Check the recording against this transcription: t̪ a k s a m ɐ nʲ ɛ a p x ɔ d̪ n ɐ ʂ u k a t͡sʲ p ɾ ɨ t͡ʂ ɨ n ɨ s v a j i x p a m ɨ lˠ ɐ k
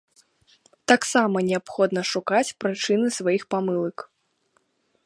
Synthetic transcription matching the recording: t̪ a k s a m ɐ nʲ ɛ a p x ɔ d̪ n ɐ ʂ u k a t͡sʲ p ɾ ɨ t͡ʂ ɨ n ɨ s v a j i x p a m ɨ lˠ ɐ k